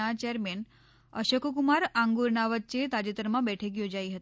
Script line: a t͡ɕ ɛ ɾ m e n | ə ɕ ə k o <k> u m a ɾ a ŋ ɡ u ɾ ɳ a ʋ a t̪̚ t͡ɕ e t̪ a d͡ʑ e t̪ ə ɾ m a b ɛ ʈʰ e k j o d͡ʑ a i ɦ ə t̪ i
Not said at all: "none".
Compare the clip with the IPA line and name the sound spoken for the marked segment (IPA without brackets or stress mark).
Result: k